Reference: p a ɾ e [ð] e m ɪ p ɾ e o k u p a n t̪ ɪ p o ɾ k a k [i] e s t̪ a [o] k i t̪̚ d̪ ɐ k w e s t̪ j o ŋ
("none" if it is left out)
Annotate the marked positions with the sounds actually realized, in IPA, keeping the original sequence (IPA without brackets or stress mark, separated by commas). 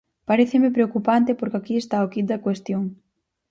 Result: θ, i, o